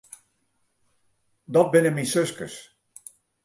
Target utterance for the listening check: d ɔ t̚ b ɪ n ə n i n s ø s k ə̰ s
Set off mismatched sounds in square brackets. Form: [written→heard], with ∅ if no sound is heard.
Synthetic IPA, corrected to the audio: d ɔ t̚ b ɪ n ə [n→m] i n s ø s k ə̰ s

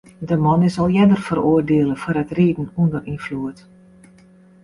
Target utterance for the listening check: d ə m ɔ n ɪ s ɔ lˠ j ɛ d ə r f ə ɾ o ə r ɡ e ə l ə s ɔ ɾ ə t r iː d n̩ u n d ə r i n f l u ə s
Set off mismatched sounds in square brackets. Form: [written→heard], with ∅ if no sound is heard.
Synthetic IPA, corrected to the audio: d ə m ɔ n ɪ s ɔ lˠ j ɛ d ə r f ə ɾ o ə r [ɡ→d] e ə l ə [s→f] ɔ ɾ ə t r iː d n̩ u n d ə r i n f l u ə [s→t]

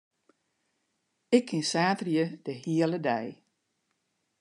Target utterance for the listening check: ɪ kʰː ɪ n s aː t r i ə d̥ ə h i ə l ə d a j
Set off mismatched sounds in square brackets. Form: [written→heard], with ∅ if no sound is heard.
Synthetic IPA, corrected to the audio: ɪ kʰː ɪ n s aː t r [i→j] ə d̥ ə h i ə l ə d [a→ɛ] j

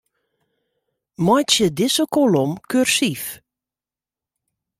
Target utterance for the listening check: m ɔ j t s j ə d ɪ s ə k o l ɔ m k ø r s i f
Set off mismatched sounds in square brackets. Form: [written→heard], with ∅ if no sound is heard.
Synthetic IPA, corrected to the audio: m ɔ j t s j ə d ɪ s ə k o l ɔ m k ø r s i f

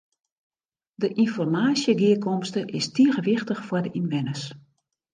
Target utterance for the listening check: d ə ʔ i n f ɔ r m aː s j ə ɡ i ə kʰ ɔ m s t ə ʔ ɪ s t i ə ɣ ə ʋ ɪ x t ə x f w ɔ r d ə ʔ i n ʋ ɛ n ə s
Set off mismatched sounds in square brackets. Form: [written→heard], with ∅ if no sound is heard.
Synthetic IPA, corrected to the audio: d ə ʔ i n f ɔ r m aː s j ə ɡ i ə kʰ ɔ m s t ə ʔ ɪ s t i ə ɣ ə ʋ ɪ x t ə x f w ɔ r d ə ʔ i n ʋ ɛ n ə s

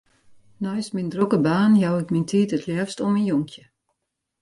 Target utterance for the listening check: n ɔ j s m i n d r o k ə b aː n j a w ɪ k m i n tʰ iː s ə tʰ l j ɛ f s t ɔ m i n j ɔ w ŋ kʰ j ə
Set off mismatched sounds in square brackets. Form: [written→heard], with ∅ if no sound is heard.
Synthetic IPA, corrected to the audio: n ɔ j s m i n d r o k ə b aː n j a w ɪ k m i n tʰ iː [s→t] ə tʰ l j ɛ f s t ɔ m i n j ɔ [w→∅] ŋ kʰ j ə

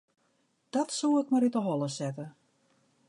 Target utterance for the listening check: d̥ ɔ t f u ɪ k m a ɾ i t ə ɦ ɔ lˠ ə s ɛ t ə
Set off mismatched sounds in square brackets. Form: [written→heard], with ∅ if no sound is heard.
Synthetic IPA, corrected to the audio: d̥ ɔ t [f→s] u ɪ k m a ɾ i t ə ɦ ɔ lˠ ə s ɛ t ə

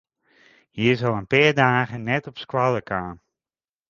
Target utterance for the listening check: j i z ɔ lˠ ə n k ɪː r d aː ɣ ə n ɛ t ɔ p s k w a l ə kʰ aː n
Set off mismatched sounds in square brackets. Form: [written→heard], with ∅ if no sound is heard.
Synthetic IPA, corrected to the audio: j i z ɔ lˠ ə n [k→p] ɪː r d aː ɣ ə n ɛ t ɔ p s k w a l ə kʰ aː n

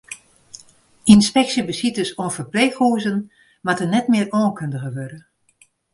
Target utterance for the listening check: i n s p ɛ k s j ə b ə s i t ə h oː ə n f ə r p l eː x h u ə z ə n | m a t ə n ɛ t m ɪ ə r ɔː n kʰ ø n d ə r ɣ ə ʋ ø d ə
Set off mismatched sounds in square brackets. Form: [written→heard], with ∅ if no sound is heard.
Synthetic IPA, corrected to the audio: i n s p ɛ k s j ə b ə s i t ə [h→s] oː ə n f ə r p l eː x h u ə z ə n | m a t ə n ɛ t m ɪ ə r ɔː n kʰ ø n d ə [r→∅] ɣ ə ʋ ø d ə

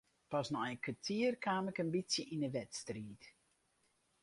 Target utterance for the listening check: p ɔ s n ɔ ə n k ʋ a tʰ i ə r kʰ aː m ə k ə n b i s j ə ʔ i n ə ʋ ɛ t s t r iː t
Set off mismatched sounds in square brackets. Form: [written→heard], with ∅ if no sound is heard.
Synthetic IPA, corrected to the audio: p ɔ s n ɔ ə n k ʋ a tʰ i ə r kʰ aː m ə k ə n b i s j ə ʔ i n ə ʋ ɛ t s t r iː t

